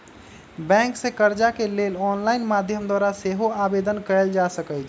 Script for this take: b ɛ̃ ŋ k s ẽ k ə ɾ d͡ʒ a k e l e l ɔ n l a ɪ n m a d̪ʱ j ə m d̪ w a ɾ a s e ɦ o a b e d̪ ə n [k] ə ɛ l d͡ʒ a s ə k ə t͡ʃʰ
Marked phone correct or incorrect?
correct